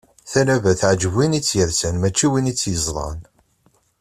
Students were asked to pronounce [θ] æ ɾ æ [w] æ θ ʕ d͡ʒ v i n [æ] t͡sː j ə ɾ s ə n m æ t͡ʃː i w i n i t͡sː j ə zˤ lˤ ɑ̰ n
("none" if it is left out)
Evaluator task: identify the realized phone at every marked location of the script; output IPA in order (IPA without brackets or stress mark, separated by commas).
θ, v, i